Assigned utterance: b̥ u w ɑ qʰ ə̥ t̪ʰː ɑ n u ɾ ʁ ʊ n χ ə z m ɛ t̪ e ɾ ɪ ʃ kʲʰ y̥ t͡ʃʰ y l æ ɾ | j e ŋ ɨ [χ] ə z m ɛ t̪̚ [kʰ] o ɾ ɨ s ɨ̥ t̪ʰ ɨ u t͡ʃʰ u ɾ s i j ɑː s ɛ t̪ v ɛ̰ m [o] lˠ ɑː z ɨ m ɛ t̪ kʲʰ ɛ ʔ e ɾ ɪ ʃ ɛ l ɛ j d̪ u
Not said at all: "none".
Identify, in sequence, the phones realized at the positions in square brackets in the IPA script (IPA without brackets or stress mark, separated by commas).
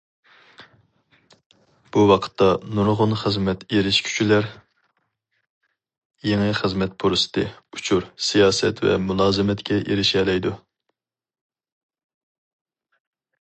χ, pʰ, u